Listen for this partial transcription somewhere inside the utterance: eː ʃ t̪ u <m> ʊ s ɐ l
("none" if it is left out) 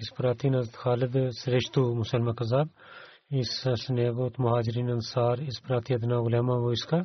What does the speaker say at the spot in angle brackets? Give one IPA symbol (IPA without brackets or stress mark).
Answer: m